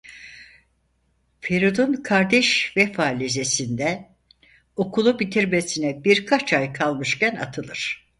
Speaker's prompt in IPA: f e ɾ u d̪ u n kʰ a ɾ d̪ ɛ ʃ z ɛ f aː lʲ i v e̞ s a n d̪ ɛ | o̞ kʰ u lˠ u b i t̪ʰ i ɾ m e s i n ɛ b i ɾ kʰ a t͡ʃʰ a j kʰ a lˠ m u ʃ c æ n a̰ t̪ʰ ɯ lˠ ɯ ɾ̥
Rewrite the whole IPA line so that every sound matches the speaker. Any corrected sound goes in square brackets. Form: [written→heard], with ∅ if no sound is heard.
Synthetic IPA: f e ɾ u d̪ u n kʰ a ɾ d̪ ɛ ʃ [z→v] ɛ f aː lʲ i [v→z] e̞ s [a→i] n d̪ ɛ | o̞ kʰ u lˠ u b i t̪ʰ i ɾ m e s i n ɛ b i ɾ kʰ a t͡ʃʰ a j kʰ a lˠ m [u→ɯ] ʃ c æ n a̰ t̪ʰ ɯ lˠ ɯ ɾ̥